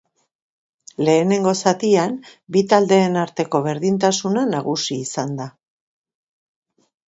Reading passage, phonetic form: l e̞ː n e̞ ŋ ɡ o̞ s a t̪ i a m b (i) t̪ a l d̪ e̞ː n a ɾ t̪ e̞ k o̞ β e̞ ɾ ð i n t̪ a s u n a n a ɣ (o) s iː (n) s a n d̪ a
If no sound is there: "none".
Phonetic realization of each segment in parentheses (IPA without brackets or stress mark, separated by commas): i, u, none